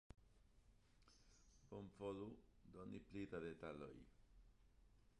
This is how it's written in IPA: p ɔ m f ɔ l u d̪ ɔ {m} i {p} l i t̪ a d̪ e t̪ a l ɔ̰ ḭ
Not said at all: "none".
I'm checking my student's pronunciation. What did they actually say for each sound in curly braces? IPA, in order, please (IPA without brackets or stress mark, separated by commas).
n, p